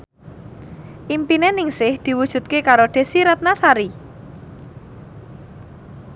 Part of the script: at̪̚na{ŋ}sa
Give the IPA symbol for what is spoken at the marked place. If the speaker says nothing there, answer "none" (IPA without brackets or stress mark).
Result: none